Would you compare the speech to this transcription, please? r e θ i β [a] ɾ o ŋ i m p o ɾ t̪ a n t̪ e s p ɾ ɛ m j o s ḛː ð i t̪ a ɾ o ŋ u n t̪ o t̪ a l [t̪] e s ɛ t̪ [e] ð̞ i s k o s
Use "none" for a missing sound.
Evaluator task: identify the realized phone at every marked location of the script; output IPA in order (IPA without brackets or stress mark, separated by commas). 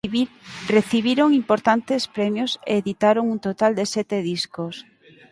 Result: i, d̪, e